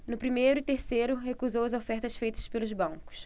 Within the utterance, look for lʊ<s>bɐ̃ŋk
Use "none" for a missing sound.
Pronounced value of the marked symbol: z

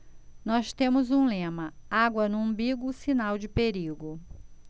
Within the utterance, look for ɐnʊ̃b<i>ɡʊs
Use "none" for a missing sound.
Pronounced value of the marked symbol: i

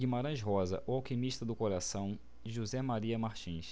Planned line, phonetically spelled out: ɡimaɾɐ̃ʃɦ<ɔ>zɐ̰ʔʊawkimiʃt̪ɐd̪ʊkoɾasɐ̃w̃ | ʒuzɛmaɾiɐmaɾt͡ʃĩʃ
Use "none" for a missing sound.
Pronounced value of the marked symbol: ɔ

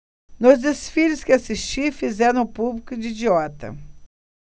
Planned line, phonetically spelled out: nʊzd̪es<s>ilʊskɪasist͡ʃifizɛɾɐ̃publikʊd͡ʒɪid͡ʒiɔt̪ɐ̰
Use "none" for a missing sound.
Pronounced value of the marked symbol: f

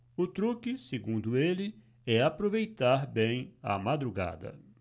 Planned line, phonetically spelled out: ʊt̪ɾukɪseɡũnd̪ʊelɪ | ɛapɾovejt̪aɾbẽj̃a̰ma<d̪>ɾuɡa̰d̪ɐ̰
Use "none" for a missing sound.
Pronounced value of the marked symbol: d̪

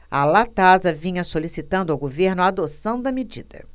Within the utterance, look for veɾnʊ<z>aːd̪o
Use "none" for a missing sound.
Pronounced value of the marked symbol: none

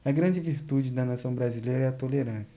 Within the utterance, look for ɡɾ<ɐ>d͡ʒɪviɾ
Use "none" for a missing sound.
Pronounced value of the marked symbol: ɐ̃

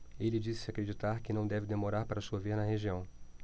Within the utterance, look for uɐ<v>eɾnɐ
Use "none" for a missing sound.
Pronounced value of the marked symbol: v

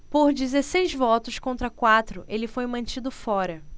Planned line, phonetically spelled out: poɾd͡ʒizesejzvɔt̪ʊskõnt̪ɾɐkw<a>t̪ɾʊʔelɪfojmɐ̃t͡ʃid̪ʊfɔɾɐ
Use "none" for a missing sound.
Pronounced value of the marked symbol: a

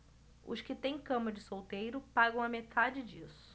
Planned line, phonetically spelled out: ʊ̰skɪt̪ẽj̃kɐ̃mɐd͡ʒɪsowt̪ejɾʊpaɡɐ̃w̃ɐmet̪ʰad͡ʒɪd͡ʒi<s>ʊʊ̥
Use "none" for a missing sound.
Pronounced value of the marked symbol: s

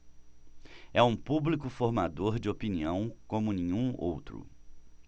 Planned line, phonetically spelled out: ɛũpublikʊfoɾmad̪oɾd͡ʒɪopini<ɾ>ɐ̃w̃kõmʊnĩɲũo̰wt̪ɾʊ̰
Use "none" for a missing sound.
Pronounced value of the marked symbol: none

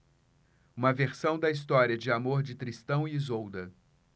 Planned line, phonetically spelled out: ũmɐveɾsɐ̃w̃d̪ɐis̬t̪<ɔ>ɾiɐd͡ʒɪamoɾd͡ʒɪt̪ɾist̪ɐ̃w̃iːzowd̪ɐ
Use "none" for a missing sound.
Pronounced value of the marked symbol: ɔ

